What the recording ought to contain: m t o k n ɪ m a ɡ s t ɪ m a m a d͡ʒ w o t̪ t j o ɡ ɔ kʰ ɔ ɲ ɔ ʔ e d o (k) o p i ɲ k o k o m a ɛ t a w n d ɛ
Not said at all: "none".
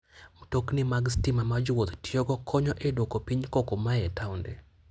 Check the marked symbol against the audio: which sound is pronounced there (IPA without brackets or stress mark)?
k